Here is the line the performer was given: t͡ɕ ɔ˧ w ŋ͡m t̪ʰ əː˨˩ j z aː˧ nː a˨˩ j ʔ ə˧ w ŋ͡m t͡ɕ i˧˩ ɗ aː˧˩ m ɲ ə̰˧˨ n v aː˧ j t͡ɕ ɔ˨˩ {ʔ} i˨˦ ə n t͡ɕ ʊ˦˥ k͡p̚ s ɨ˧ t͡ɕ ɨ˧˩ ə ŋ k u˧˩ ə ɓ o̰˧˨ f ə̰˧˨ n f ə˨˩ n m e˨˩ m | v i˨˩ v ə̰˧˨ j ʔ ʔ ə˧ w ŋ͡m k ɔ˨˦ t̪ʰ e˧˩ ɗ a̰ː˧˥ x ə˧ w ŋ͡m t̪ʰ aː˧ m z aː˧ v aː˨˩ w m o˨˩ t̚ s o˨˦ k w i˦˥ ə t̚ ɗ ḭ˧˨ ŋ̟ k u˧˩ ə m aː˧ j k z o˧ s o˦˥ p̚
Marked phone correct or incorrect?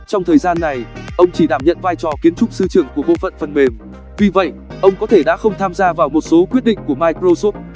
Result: incorrect